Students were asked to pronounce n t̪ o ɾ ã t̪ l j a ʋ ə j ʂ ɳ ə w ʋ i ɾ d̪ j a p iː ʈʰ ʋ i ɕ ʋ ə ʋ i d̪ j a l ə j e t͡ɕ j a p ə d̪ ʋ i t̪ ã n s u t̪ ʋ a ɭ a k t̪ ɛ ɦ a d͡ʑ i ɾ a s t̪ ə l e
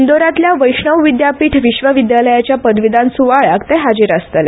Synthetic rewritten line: n d̪ o ɾ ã t̪ l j a ʋ ə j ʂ ɳ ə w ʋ i d̪ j a p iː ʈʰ ʋ i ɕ ʋ ə ʋ i d̪ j a l ə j a t͡ɕ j a p ə d̪ ʋ i d̪ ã n s u ʋ a ɭ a k t̪ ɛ ɦ a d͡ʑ i ɾ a s t̪ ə l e